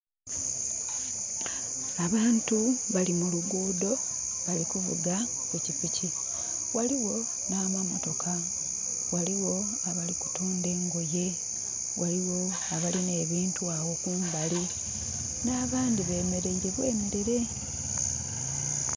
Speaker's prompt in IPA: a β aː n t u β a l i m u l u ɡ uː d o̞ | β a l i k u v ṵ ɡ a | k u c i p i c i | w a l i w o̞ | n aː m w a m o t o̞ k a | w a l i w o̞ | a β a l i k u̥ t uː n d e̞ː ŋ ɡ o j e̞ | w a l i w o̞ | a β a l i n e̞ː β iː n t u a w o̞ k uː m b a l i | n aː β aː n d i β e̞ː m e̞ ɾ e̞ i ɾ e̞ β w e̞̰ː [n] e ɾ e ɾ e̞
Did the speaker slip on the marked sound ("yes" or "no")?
yes